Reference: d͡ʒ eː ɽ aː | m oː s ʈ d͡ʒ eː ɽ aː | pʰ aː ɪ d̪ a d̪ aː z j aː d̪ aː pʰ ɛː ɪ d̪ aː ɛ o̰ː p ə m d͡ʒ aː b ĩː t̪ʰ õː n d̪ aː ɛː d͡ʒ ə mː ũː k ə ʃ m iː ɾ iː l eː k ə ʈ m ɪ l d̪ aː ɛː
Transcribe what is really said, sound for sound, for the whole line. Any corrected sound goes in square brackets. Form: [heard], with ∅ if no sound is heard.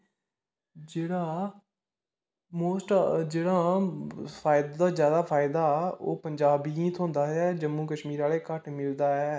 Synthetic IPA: d͡ʒ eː ɽ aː | m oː s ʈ d͡ʒ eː ɽ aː | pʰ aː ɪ d̪ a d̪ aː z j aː d̪ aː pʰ [aː] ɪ d̪ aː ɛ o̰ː p ə [ɲ] d͡ʒ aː b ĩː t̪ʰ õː n d̪ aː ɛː d͡ʒ ə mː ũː k ə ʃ m iː ɾ [aː] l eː k ə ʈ m ɪ l d̪ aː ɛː